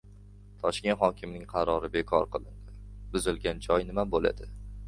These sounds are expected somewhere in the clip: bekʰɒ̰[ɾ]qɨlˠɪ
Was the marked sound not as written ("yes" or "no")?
no